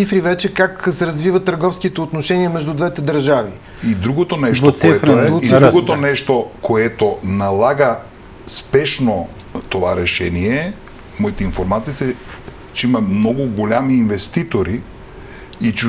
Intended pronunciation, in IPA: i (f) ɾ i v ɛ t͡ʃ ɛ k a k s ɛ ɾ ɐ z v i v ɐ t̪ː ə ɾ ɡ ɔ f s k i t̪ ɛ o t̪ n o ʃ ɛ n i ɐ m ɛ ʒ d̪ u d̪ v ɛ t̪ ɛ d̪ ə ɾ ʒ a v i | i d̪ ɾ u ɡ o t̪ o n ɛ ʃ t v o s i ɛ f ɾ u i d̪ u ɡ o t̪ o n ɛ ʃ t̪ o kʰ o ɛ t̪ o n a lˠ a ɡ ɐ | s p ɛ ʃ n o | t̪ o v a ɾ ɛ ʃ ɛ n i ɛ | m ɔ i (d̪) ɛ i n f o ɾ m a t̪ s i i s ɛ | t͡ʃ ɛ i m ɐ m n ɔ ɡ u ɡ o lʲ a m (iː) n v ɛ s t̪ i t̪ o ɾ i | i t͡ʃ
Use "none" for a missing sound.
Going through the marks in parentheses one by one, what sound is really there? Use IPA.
f, t̪, iː

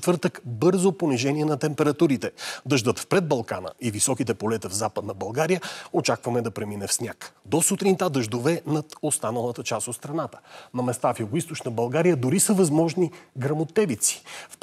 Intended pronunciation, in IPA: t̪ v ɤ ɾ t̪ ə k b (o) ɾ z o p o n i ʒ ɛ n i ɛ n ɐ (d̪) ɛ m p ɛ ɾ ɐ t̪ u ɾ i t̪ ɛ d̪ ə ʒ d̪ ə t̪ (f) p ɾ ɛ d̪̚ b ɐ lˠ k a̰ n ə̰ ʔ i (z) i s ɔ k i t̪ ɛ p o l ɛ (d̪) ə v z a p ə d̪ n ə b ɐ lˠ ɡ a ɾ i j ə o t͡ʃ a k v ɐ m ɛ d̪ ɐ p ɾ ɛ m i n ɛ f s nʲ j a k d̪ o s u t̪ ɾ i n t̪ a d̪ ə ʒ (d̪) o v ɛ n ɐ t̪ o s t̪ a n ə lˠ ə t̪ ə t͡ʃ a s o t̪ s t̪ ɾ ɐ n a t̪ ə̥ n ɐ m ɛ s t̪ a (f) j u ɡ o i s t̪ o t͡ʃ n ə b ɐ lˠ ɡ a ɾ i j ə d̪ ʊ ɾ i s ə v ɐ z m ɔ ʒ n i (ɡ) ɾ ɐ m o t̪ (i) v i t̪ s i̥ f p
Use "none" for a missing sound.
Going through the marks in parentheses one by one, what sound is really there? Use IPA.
ɤ, t̪, f, v, t̪, d̪, f, ɡ, ɛ

